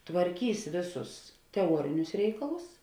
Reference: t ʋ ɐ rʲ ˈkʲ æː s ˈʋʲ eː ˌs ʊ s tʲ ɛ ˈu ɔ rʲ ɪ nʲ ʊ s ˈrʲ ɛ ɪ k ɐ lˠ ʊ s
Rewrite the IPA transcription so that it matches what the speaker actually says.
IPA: t ʋ ɐ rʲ ˈkʲ iː s ˈʋʲ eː ˌs ʊ s tʲ ɛ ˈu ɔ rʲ ɪ nʲ ʊ s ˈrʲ ɛ ɪ k ɐ lˠ ʊ s

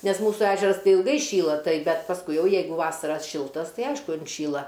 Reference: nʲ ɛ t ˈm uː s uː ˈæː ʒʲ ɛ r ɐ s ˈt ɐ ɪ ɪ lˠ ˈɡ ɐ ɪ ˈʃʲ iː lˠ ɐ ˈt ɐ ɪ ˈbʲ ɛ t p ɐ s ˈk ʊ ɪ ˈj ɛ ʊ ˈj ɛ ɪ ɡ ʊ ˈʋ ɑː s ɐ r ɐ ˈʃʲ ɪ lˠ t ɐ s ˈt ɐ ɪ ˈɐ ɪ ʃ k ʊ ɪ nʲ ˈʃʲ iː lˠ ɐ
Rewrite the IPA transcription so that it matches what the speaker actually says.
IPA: nʲ ɛ s ˈm uː s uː ˈæː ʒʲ ɛ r ɐ s ˈt ɐ ɪ ɪ lˠ ˈɡ ɐ ɪ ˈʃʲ iː lˠ ɐ ˈt ɐ ɪ ˈbʲ ɛ t p ɐ s ˈk ʊ ɪ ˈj ɛ ʊ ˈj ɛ ɪ ɡ ʊ ˈʋ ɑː s ɐ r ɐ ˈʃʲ ɪ lˠ t ɐ s ˈt ɐ ɪ ˈɐ ɪ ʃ k ʊ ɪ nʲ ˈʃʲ iː lˠ ɐ

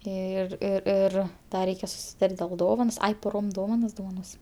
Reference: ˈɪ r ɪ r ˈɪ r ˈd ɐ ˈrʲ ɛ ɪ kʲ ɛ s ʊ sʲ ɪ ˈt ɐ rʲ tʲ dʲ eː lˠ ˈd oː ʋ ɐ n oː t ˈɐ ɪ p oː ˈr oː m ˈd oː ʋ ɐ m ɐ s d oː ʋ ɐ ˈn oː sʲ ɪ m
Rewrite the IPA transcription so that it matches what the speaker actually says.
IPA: ˈɪ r ɪ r ˈɪ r ˈd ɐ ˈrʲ ɛ ɪ kʲ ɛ s ʊ sʲ ɪ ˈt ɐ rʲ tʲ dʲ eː lˠ ˈd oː ʋ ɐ n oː s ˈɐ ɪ p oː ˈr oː m ˈd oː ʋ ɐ n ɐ s d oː ʋ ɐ ˈn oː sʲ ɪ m

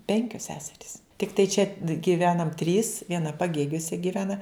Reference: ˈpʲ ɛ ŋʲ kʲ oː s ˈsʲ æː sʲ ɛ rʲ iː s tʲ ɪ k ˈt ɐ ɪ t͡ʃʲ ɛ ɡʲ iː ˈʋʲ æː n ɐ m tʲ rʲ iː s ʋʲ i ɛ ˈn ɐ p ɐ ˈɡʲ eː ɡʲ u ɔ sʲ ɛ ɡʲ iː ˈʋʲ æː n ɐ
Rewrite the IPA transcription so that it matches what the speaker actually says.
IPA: ˈpʲ ɛ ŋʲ kʲ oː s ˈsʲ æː sʲ ɛ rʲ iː s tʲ ɪ k ˈt ɐ ɪ t͡ʃʲ ɛ ɡʲ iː ˈʋʲ æː n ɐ m tʲ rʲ iː s ʋʲ i ɛ ˈn ɐ p ɐ ˈɡʲ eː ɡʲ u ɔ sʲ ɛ ɡʲ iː ˈʋʲ æː n ɐ

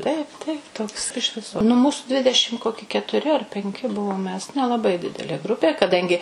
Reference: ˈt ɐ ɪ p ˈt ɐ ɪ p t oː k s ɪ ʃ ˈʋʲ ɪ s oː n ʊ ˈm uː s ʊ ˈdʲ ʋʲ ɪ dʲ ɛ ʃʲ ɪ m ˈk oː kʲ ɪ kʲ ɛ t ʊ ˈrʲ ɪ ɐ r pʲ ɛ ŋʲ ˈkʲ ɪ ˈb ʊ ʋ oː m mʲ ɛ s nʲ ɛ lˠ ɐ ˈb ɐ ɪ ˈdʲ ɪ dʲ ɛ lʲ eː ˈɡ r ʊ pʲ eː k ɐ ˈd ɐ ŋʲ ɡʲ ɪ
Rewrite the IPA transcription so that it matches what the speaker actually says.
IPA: ˈt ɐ ɪ p ˈt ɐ ɪ p t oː k s ɪ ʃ ˈʋʲ ɪ s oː n ʊ ˈm uː s ʊ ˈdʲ ʋʲ ɪ dʲ ɛ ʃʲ ɪ m ˈk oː kʲ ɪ kʲ ɛ t ʊ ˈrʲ ɪ ɐ r pʲ ɛ ŋʲ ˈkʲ ɪ ˈb ʊ ʋ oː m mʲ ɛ s nʲ ɛ lˠ ɐ ˈb ɐ ɪ ˈdʲ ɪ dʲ ɛ lʲ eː ˈɡ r ʊ pʲ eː k ɐ ˈd ɐ ŋʲ ɡʲ ɪ

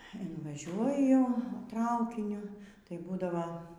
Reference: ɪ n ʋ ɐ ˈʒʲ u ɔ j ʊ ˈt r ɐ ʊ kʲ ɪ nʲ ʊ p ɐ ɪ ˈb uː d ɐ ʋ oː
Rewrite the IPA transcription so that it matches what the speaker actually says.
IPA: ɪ n ʋ ɐ ˈʒʲ u ɔ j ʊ ˈt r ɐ ʊ kʲ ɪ nʲ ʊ t ɐ ɪ ˈb uː d ɐ ʋ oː

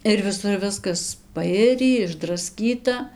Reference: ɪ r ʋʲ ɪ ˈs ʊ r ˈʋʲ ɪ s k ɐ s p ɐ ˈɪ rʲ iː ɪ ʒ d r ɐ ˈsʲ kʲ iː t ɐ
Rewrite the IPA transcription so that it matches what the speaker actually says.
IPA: ɪ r ʋʲ ɪ ˈs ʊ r ˈʋʲ ɪ s k ɐ s p ɐ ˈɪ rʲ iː ɪ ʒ d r ɐ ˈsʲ kʲ iː t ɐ

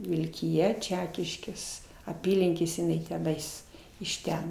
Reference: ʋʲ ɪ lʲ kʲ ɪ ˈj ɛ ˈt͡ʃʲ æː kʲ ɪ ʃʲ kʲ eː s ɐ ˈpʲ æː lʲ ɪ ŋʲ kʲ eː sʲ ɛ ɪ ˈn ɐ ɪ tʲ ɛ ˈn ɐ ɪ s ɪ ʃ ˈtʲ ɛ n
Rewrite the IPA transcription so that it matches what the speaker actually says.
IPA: ʋʲ ɪ lʲ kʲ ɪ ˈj ɛ ˈt͡ʃʲ æː kʲ ɪ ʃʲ kʲ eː s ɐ ˈpʲ iː lʲ ɪ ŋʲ kʲ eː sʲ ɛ ɪ ˈn ɐ ɪ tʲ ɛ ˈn ɐ ɪ s ɪ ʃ ˈtʲ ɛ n

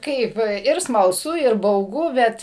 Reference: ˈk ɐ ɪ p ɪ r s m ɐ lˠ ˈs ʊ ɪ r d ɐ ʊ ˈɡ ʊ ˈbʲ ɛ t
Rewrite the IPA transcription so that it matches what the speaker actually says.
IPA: ˈk ɐ ɪ p ɪ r s m ɐ lˠ ˈs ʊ ɪ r b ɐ ʊ ˈɡ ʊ ˈbʲ ɛ t

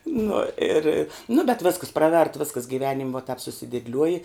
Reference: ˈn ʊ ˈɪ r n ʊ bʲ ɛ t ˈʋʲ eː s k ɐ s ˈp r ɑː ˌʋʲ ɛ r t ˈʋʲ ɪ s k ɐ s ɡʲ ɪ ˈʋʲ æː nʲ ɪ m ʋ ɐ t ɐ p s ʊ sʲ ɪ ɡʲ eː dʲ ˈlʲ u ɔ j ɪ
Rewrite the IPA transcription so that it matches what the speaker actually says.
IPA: ˈn ʊ ˈɪ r n ʊ bʲ ɛ t ˈʋʲ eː s k ɐ s ˈp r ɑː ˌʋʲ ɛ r t ˈʋʲ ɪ s k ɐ s ɡʲ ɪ ˈʋʲ æː nʲ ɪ m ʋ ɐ t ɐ p s ʊ sʲ ɪ dʲ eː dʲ ˈlʲ u ɔ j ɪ

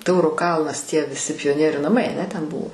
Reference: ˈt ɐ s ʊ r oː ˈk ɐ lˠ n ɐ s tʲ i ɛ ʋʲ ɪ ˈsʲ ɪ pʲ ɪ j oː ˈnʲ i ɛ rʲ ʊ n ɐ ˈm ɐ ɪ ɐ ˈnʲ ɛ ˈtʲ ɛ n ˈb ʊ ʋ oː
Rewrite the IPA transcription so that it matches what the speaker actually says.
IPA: ˈt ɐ ʊ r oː ˈk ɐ lˠ n ɐ s tʲ i ɛ ʋʲ ɪ ˈsʲ ɪ pʲ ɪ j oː ˈnʲ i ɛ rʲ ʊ n ɐ ˈm ɐ ɪ ɐ ˈnʲ ɛ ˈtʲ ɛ n ˈb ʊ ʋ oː

